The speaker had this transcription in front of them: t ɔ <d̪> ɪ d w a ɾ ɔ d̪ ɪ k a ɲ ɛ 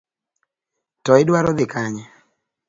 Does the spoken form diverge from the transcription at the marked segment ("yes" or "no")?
yes